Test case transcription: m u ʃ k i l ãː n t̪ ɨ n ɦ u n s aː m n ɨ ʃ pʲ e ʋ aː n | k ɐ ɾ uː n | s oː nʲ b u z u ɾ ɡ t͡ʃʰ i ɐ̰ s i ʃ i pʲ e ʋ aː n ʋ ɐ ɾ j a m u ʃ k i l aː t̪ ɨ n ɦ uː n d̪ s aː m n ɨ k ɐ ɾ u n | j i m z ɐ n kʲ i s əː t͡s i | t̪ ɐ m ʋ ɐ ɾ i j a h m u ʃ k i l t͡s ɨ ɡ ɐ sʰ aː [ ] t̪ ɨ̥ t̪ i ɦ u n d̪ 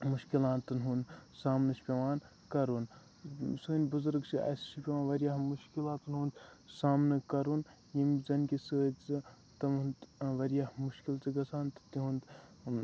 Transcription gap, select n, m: n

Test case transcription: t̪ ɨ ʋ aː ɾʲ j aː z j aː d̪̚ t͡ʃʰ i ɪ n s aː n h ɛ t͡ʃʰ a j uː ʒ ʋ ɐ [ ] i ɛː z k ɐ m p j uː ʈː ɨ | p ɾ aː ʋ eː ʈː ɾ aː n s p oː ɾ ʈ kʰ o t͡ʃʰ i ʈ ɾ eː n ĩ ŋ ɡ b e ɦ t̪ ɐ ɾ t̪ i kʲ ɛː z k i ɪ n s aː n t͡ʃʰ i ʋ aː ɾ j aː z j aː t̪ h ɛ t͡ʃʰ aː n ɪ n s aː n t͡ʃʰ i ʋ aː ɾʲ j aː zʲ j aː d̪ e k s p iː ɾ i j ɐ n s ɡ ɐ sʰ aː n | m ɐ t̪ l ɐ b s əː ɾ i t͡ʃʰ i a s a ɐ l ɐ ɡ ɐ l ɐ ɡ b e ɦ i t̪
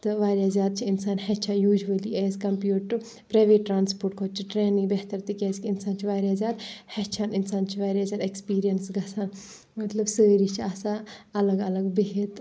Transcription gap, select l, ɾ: l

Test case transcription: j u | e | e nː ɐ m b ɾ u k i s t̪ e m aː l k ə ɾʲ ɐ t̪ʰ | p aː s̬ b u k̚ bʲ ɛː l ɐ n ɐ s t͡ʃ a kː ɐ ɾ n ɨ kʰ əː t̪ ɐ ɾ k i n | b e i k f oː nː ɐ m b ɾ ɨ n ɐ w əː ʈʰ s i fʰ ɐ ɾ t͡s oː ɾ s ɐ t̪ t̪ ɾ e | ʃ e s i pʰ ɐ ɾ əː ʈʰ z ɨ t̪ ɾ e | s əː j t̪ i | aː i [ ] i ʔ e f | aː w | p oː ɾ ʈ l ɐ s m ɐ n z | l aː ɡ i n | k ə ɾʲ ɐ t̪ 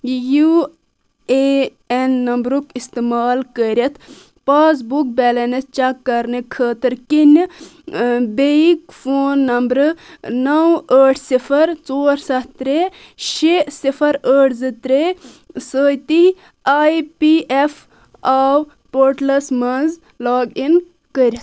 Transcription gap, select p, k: p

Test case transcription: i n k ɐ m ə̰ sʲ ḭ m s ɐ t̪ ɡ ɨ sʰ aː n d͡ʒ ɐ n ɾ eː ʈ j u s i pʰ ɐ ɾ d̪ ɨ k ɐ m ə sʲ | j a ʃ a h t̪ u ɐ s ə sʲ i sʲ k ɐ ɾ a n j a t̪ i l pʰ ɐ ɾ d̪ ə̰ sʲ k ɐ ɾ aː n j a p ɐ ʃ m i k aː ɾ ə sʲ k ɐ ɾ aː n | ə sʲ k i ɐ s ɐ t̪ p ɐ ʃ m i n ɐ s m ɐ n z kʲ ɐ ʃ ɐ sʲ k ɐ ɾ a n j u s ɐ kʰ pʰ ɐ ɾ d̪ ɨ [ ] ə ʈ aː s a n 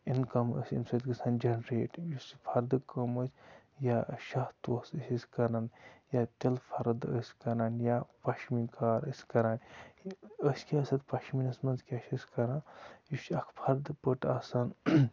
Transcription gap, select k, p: p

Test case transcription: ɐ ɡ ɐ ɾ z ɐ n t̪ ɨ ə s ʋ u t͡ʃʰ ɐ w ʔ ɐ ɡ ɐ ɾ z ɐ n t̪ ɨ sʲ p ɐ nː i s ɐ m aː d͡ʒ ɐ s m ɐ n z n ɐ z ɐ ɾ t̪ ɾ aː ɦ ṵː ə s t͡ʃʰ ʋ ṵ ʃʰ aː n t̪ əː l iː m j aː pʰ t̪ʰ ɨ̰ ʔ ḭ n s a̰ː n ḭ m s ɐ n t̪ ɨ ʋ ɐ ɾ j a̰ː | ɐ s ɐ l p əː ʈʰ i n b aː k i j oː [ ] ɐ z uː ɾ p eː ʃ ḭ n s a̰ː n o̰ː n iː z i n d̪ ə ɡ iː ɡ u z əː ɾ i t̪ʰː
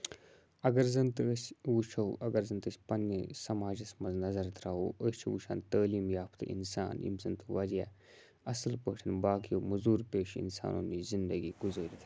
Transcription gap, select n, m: m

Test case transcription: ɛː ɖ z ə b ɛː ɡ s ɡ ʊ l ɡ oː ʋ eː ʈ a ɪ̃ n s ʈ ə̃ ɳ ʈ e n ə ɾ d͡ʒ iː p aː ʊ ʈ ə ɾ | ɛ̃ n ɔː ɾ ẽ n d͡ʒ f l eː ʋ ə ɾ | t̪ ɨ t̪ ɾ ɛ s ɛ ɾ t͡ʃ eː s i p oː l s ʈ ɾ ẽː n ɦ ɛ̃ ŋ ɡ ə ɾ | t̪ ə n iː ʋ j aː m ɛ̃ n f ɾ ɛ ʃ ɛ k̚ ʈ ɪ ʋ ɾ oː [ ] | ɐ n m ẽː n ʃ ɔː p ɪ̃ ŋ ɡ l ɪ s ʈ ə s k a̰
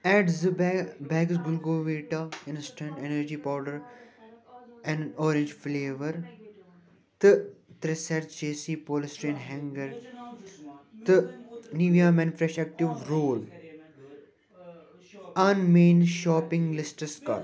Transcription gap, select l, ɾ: l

